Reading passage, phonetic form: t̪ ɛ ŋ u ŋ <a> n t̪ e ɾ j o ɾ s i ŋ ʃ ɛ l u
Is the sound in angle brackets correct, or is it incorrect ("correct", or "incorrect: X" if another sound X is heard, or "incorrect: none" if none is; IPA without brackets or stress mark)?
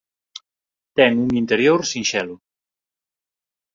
incorrect: i